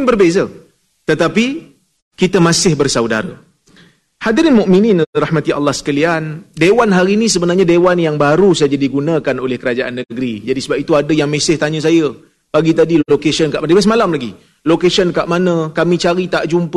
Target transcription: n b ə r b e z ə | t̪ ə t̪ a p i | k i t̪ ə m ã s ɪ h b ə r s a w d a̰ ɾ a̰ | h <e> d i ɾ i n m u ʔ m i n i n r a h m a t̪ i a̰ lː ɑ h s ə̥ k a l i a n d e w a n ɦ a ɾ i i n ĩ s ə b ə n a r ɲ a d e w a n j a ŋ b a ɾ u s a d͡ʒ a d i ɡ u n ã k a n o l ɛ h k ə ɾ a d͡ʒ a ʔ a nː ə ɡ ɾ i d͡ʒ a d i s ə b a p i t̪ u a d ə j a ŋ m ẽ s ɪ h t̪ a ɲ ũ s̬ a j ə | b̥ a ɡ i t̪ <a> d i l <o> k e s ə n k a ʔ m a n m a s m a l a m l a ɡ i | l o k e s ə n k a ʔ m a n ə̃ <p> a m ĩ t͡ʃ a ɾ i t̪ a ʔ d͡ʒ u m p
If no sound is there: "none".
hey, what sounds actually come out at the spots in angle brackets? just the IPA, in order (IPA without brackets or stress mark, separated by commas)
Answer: a, a, o, k